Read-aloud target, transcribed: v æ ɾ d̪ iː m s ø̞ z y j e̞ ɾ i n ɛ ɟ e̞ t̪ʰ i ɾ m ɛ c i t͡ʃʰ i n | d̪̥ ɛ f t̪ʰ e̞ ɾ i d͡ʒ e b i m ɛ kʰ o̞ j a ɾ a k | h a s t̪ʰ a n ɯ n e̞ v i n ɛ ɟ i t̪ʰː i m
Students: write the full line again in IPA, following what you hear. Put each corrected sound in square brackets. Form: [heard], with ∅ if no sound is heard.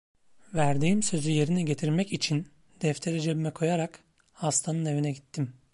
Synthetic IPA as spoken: v æ ɾ d̪ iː m s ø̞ z y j e̞ ɾ i n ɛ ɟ e̞ t̪ʰ i ɾ m ɛ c i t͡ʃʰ i n | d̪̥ ɛ f t̪ʰ e̞ ɾ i d͡ʒ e b i m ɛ kʰ o̞ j a ɾ a k | h a s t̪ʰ a n ɯ n e̞ v i n ɛ ɟ i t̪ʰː i m